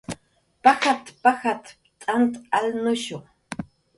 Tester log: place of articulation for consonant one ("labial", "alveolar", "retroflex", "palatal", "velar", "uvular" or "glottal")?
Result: labial